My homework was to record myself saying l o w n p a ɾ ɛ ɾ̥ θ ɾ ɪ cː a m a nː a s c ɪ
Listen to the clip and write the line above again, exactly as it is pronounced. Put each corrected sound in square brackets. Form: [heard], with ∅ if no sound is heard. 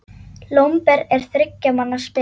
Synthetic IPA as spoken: l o w [m] p [ɛ] ɾ ɛ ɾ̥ θ ɾ ɪ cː a m a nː a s [p] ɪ